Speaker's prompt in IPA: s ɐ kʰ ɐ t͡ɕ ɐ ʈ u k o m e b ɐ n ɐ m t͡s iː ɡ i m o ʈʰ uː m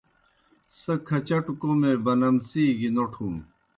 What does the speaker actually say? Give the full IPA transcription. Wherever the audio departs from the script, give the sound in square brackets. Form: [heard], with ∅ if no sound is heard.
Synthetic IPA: s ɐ kʰ ɐ t͡ɕ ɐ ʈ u k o m e b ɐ n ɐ m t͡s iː ɡ i [n] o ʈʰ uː m